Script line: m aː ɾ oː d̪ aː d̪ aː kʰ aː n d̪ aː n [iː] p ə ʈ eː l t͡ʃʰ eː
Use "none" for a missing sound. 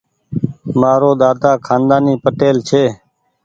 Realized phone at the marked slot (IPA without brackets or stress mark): iː